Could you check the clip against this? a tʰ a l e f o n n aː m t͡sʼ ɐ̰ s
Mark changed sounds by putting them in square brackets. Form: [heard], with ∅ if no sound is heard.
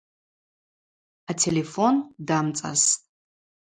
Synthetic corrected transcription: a tʰ [e] l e f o n [d] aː m t͡sʼ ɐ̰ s

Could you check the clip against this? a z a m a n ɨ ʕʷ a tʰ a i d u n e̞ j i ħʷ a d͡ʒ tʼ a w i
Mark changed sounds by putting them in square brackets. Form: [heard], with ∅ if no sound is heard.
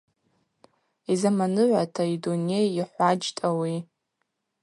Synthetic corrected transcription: [i] z a m a n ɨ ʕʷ a tʰ a i d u n e̞ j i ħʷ a d͡ʒ tʼ a w i

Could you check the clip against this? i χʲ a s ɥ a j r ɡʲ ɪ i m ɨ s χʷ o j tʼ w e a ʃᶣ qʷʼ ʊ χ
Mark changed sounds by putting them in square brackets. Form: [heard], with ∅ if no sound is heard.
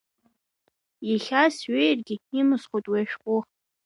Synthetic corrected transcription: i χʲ a s ɥ [e] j r ɡʲ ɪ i m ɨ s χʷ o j tʼ w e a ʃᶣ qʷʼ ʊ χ

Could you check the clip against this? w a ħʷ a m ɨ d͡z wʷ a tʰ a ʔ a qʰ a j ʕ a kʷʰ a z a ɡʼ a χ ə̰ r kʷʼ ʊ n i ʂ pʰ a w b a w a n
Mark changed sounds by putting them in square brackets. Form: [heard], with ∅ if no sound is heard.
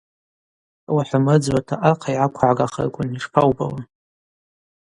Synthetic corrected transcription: w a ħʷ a m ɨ d͡z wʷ a tʰ a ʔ a qʰ a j ʕ a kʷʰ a [ʕ] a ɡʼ a χ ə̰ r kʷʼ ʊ n i ʂ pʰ a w b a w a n

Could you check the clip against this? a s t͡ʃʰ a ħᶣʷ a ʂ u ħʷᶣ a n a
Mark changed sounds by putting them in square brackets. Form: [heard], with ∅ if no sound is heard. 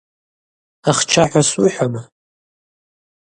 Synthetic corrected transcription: a [χ] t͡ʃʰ a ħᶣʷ a [s] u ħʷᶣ a [m] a

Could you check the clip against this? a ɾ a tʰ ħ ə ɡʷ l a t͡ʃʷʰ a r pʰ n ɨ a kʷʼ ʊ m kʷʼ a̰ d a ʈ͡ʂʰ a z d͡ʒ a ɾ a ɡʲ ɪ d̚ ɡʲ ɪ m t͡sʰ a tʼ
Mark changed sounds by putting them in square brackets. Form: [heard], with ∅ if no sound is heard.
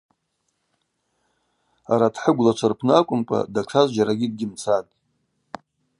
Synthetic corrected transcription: a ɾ a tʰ ħ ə ɡʷ l a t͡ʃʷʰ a r pʰ n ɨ a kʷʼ ʊ m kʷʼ a̰ d a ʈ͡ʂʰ a z d͡ʒ a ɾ a ɡʲ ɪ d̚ ɡʲ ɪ m t͡sʰ a tʼ

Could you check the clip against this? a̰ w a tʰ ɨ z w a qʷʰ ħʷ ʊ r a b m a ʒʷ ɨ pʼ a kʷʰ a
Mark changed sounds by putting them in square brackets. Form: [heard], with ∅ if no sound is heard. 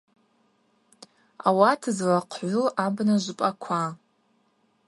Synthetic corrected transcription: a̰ w a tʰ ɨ z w a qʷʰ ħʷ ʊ [l] a b [n] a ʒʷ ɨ pʼ a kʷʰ a

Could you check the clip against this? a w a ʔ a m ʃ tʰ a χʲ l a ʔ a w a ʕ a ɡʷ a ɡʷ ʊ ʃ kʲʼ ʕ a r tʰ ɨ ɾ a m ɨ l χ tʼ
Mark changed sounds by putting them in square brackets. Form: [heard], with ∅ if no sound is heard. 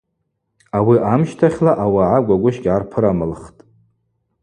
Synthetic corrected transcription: a w [i] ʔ a m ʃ tʰ a χʲ l a ʔ a w a ʕ a ɡʷ a ɡʷ ʊ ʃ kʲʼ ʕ a r [pʰ] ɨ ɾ a m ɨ l χ tʼ

